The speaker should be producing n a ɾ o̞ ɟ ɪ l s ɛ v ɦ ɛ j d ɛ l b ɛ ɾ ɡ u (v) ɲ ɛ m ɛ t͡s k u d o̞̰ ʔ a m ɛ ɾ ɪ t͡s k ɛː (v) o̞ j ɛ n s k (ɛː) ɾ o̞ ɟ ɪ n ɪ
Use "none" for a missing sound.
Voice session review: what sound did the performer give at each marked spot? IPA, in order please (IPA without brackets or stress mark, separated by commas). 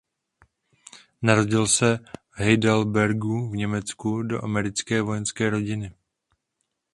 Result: v, v, ɛː